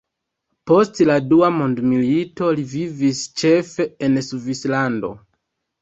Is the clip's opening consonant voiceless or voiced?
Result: voiceless